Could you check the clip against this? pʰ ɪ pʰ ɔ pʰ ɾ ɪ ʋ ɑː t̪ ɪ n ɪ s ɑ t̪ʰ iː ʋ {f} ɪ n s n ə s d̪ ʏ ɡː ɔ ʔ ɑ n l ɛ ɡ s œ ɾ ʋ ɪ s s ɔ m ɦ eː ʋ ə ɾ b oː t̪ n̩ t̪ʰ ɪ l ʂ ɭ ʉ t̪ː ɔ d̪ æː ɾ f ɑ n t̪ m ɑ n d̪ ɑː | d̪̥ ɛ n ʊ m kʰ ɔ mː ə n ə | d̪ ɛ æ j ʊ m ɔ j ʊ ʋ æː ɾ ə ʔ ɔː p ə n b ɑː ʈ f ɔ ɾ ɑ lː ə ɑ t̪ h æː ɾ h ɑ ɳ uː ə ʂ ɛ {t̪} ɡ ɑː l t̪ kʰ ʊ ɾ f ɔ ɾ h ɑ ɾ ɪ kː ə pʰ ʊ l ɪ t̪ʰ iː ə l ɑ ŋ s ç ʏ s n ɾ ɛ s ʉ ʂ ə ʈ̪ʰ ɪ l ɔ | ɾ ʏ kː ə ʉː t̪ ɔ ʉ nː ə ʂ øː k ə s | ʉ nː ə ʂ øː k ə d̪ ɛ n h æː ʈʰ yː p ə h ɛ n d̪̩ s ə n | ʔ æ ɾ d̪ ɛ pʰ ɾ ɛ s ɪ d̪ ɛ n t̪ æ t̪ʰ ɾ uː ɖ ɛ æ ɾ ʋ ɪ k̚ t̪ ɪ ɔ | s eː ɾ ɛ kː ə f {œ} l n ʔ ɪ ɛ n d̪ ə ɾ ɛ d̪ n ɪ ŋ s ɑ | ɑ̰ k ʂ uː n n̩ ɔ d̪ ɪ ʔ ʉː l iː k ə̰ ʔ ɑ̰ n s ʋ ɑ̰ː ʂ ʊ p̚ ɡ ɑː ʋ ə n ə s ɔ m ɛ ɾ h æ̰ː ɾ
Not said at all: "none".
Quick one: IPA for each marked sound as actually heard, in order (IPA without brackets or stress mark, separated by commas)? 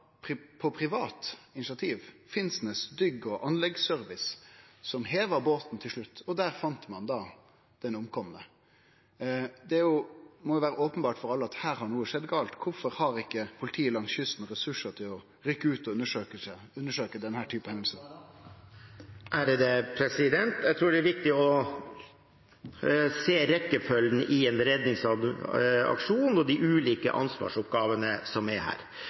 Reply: f, d̪, œ